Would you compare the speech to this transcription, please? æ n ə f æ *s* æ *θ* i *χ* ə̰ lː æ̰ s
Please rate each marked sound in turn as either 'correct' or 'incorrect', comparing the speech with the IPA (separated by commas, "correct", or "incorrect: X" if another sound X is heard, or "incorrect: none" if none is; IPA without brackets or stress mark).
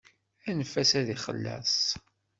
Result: correct, incorrect: ð, correct